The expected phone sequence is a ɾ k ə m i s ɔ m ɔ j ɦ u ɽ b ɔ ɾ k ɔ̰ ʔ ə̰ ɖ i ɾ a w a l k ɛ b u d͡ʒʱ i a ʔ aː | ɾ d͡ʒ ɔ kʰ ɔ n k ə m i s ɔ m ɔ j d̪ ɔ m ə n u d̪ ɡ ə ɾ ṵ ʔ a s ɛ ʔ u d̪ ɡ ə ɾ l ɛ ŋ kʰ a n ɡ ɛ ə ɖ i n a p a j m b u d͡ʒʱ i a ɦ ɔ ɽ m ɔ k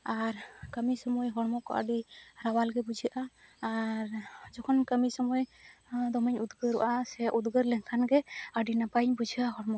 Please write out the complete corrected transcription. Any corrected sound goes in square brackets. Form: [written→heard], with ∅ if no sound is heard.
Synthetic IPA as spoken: a ɾ k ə m i s ɔ m ɔ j ɦ [u→ɔ] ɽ [b→m] ɔ [ɾ→∅] k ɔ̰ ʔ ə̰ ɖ i ɾ a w a l [k→ɡ] ɛ b u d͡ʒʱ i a ʔ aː | ɾ d͡ʒ ɔ kʰ ɔ n k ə m i s ɔ m ɔ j d̪ ɔ m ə [n→ɲ] u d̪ ɡ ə ɾ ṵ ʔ a s ɛ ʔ u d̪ ɡ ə ɾ l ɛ ŋ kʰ a n ɡ ɛ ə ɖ i n a p a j [m→ɲ] b u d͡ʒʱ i a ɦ ɔ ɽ m ɔ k